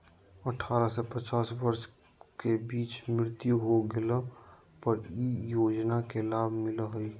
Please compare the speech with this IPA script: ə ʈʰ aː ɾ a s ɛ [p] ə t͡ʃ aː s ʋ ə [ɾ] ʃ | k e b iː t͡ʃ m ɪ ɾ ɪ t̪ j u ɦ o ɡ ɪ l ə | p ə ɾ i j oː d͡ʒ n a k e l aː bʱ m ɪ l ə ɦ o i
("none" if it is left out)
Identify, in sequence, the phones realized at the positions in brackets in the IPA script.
p, ɾ

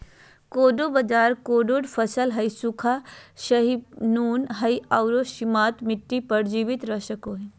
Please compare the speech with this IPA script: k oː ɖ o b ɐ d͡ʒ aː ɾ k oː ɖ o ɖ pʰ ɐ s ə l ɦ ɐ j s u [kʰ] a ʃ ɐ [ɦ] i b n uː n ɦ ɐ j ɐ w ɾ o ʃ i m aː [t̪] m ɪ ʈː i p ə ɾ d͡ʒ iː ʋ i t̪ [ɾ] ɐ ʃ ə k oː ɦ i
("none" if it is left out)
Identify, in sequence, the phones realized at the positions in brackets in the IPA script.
kʰ, ɦ, t̪, ɾ

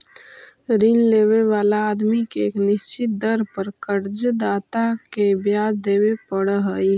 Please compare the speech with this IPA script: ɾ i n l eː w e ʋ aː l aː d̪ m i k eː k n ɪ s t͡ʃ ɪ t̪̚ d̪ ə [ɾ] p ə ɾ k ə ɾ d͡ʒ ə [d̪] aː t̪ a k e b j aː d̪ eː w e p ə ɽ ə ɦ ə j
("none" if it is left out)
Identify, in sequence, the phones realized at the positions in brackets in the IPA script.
ɾ, d̪

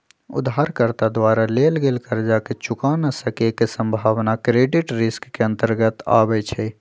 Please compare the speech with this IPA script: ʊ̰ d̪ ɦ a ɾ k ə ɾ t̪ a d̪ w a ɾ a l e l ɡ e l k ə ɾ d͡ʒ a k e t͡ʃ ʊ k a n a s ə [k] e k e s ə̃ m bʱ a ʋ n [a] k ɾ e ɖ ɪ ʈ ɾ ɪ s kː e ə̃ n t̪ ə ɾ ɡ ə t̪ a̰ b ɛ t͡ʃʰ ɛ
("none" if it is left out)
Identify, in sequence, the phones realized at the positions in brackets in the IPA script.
k, a

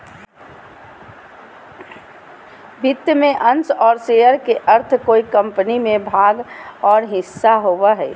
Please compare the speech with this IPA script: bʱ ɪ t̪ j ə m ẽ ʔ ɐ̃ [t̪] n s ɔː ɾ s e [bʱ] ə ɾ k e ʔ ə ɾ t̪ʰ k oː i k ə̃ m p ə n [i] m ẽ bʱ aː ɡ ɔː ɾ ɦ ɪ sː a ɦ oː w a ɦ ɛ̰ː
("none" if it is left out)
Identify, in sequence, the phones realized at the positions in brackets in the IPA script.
none, none, i

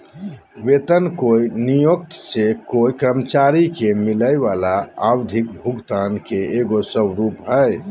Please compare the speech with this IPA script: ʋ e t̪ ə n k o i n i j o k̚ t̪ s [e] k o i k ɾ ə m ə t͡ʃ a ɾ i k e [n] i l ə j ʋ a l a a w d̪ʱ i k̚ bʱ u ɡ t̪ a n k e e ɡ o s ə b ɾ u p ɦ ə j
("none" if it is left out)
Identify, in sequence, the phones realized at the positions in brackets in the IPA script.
e, m

